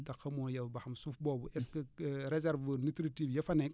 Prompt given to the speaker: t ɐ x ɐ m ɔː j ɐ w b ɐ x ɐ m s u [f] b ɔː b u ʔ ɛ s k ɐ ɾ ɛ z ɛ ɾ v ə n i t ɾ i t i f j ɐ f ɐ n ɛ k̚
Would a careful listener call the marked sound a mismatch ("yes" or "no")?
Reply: no